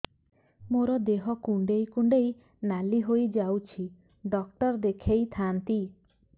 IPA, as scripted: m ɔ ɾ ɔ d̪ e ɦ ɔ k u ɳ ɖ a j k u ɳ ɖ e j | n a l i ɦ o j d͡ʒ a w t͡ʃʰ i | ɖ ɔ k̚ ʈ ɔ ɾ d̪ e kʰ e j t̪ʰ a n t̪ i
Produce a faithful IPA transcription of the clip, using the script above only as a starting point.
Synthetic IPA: m o ɾ ɔ d̪ e ɦ ɔ k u ɳ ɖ e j k u ɳ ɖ e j | n a l i ɦ o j d͡ʒ a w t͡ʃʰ i | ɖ ɔ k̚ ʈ ɔ ɾ d̪ e kʰ e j t̪ʰ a n t̪ i